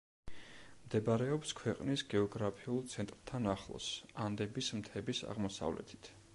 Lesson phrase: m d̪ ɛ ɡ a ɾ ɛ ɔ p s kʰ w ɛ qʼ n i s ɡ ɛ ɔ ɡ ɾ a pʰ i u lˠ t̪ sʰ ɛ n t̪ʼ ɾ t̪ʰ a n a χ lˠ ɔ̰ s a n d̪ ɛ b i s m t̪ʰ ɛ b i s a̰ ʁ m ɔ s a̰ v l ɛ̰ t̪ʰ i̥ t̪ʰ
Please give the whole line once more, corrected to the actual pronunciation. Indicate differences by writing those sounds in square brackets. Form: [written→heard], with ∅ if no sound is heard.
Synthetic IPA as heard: m d̪ ɛ [ɡ→b] a ɾ ɛ ɔ p s kʰ w ɛ qʼ n i s ɡ ɛ ɔ ɡ ɾ a pʰ i u lˠ t̪ sʰ ɛ n t̪ʼ ɾ t̪ʰ a n a χ lˠ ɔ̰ s a n d̪ ɛ b i s m t̪ʰ ɛ b i s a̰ ʁ m ɔ s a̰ v l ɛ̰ t̪ʰ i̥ t̪ʰ